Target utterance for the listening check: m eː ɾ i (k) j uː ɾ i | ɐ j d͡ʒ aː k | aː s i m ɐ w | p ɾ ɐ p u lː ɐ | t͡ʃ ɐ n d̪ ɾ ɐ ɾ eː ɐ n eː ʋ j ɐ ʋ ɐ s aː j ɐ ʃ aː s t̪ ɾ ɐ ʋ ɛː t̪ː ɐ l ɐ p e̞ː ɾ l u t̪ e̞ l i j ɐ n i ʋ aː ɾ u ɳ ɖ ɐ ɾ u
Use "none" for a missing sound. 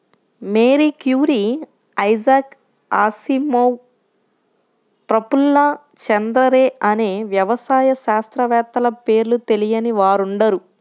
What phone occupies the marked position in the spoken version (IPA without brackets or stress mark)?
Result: k